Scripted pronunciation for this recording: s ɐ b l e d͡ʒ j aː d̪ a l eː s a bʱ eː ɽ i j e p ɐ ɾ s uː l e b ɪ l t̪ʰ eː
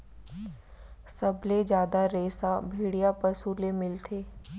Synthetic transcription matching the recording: s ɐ b l e d͡ʒ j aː d̪ a ɾ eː s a bʱ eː ɽ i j a p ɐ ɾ s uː l e m ɪ l t̪ʰ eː